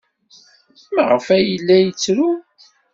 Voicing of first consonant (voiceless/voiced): voiced